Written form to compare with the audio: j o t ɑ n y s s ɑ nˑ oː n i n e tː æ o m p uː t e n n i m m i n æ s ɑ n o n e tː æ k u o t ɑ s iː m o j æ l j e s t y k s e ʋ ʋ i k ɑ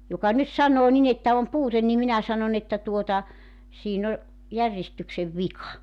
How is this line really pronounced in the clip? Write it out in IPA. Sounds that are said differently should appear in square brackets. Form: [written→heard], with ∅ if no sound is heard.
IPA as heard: j o [t→k] ɑ n y [s→t] s ɑ nˑ oː n i n e tː æ o m p uː t e n n i m m i n æ s ɑ n o n e tː æ [k→t] u o t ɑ s iː [m→n] o j æ [l→r] j e s t y k s e ʋ ʋ i k ɑ